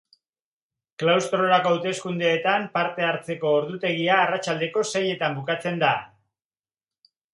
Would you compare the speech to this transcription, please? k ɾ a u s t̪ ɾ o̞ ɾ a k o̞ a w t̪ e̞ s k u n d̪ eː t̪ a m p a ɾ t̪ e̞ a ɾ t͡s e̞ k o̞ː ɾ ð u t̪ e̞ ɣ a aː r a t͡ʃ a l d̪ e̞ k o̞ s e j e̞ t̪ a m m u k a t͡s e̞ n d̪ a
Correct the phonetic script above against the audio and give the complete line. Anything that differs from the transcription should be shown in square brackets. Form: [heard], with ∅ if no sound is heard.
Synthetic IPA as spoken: k [l] a [w] s t̪ ɾ o̞ ɾ a k o̞ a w t̪ e̞ s k u n d̪ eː t̪ a m p a ɾ t̪ e̞ a ɾ t͡s e̞ k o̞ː ɾ ð u t̪ e̞ ɣ [i] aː r a t͡ʃ a l d̪ e̞ k o̞ s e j e̞ t̪ a m [b] u k a t͡s e̞ n d̪ a